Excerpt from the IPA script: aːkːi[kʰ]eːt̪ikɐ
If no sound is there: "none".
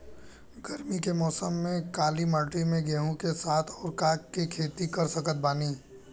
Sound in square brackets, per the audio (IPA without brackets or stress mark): kʰ